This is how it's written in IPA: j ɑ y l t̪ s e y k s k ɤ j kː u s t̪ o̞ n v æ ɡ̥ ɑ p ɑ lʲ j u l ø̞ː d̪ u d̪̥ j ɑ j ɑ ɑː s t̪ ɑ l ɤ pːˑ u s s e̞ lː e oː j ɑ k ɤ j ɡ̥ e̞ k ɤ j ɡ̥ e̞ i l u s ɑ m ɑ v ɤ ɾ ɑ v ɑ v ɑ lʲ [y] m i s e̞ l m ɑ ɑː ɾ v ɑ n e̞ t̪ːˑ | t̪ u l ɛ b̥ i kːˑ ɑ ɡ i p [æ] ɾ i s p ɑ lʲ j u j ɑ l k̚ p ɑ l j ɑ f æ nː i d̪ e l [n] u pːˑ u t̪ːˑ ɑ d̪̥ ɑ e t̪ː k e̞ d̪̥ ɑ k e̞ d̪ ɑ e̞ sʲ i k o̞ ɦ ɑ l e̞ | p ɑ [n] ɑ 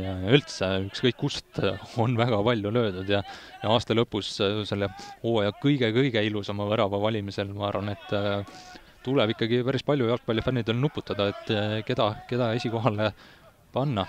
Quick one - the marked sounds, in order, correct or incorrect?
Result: incorrect, correct, correct, incorrect

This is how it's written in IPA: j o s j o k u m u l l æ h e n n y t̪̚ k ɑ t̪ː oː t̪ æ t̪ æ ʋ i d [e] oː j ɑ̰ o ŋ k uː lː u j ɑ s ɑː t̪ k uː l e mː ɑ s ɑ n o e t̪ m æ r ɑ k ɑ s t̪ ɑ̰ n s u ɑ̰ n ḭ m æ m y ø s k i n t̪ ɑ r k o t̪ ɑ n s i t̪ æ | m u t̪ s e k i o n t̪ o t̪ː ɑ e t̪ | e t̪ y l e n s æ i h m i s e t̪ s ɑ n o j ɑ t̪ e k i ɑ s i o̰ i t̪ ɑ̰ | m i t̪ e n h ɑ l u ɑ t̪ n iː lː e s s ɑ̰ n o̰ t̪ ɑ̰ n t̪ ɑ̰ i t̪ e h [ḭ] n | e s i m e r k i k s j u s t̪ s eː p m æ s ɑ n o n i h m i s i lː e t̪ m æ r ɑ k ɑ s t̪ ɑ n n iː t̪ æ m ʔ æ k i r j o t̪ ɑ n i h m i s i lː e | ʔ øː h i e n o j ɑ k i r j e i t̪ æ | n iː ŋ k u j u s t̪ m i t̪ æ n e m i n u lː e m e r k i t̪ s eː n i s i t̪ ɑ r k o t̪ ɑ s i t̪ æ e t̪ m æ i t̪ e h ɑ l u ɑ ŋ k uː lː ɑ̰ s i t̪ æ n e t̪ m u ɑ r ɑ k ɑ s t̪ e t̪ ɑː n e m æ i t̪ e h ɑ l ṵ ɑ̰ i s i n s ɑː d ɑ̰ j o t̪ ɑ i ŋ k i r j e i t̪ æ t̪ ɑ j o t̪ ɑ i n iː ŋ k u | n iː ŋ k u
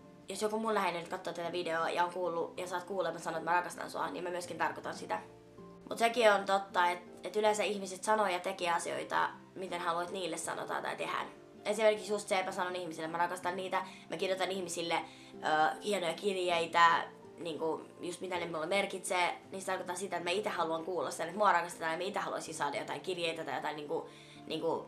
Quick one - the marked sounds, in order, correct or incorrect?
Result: correct, incorrect

